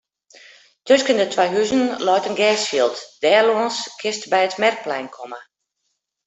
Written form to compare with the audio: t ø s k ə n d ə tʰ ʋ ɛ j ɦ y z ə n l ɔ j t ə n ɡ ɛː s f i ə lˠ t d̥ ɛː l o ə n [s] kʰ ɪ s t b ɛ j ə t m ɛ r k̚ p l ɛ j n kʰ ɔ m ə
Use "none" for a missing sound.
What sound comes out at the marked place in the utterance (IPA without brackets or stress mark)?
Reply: s